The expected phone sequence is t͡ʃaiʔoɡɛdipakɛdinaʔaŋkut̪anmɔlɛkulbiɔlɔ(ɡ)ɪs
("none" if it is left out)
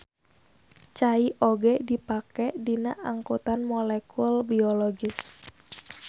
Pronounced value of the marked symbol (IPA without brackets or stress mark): ɡ